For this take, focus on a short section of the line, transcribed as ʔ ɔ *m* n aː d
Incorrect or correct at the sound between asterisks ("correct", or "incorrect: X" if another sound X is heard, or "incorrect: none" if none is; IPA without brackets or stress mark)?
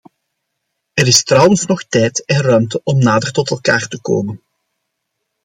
correct